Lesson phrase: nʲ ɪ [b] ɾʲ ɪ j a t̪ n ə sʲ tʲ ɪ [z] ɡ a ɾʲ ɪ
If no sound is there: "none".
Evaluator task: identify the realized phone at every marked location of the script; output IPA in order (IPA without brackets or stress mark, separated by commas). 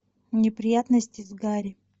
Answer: p, z